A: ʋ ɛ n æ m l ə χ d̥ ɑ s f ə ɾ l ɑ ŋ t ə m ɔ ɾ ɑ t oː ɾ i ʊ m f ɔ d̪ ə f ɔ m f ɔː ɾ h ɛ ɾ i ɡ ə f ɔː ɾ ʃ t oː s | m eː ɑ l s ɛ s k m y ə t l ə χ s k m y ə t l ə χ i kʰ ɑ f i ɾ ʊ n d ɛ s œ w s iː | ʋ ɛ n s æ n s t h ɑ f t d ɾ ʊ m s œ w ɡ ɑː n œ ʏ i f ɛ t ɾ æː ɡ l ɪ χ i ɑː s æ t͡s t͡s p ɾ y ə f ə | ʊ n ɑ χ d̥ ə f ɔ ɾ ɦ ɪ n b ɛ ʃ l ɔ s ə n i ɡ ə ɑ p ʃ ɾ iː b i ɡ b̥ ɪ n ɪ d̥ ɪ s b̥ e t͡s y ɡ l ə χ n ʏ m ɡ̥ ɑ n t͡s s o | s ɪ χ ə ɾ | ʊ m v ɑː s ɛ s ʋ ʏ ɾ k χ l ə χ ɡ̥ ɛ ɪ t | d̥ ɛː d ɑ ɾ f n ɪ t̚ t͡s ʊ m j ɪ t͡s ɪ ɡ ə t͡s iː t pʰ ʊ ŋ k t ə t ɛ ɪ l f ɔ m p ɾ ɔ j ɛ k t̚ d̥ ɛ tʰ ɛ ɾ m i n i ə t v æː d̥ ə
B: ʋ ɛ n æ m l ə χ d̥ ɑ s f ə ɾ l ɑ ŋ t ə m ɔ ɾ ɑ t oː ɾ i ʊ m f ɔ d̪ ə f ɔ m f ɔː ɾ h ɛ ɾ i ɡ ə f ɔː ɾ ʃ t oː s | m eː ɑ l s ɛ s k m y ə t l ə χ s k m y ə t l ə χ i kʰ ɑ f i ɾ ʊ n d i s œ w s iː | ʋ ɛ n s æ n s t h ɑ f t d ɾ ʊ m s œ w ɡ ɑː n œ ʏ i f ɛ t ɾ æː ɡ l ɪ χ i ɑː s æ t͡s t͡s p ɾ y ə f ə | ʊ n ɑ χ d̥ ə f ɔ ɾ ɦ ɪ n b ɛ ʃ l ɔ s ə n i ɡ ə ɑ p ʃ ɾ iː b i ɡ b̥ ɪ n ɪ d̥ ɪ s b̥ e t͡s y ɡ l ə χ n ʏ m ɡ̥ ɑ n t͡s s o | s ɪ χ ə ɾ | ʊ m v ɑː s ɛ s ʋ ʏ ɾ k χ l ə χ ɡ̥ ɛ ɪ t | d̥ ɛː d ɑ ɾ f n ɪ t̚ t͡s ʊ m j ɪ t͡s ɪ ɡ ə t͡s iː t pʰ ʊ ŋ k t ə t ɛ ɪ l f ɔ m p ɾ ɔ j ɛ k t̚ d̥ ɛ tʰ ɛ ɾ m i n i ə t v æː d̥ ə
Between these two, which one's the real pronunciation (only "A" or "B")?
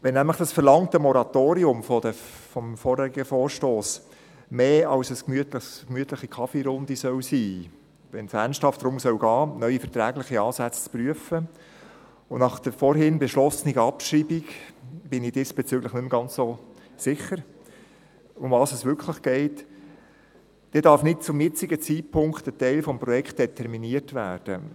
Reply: B